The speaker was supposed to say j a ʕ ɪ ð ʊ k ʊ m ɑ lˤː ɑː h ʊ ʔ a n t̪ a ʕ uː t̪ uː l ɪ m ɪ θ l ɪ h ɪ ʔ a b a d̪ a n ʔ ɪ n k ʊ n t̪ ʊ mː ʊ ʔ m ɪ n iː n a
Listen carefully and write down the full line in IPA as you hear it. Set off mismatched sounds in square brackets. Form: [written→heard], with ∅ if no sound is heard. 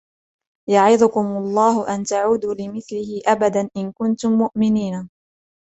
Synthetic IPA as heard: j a ʕ ɪ ð ʊ k ʊ m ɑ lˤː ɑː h ʊ ʔ a n t̪ a ʕ uː [t̪→d̪] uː l ɪ m ɪ θ l ɪ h ɪ ʔ a b a d̪ a n ʔ ɪ n k ʊ n t̪ ʊ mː ʊ ʔ m ɪ n iː n a